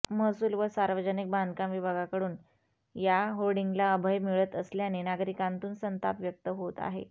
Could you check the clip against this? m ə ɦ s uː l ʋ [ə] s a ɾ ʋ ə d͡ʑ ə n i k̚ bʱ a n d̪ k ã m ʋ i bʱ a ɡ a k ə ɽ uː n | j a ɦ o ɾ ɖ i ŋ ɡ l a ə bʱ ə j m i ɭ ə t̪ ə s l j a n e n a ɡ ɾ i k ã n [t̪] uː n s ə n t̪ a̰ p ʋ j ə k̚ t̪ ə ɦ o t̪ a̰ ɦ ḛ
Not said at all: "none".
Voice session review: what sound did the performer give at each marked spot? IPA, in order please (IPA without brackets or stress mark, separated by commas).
ə, t̪